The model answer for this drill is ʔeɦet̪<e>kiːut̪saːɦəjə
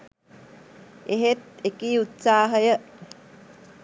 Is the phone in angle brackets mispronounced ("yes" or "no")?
no